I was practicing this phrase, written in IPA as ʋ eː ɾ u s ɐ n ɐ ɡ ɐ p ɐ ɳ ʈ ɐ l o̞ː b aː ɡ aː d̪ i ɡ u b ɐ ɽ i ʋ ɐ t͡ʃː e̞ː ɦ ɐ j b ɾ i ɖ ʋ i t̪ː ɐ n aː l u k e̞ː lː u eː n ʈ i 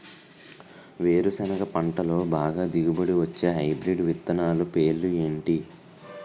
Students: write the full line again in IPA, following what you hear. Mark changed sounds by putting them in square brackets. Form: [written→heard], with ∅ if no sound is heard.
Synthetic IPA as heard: ʋ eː ɾ u s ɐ n ɐ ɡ ɐ p ɐ ɳ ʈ ɐ l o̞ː b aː ɡ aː d̪ i ɡ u b ɐ ɽ i ʋ ɐ t͡ʃː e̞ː ɦ ɐ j b ɾ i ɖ ʋ i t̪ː ɐ n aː l u [k→p] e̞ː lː u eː [n→ɳ] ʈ i